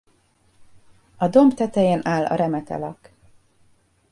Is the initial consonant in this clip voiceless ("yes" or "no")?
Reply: no